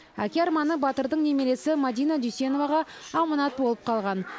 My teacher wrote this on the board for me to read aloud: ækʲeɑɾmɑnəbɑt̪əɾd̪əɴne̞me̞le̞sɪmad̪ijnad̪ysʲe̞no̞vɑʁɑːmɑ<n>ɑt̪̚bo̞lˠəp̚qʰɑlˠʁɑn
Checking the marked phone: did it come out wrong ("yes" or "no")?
no